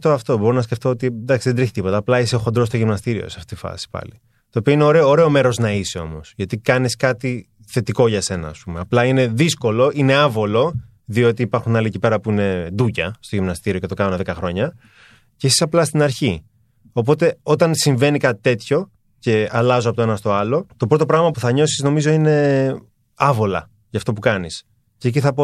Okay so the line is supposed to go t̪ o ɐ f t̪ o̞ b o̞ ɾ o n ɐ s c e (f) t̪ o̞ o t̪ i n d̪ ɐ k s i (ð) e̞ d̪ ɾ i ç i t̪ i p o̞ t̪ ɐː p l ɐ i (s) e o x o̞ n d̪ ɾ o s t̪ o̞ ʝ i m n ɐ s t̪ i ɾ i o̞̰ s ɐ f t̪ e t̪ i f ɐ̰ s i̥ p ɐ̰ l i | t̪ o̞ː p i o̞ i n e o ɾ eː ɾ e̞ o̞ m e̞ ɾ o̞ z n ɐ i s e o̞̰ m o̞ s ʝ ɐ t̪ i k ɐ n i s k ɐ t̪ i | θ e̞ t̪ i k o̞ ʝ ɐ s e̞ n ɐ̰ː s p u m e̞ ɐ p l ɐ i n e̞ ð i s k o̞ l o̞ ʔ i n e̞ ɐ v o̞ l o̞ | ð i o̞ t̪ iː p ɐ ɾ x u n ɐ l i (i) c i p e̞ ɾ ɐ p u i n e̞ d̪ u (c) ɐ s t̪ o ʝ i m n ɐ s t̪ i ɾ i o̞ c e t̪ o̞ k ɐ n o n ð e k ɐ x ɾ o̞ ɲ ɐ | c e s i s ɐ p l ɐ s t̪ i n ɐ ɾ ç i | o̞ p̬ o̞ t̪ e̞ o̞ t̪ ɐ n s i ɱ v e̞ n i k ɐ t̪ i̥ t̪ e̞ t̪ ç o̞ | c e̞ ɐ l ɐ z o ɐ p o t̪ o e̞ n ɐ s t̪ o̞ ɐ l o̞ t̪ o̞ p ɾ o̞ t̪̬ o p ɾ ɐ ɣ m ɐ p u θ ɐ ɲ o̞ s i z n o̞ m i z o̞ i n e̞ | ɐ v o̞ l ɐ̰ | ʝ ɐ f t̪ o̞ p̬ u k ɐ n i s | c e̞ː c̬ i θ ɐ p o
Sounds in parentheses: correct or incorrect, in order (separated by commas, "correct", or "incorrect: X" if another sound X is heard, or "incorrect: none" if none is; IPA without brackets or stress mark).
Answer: correct, correct, correct, incorrect: e, correct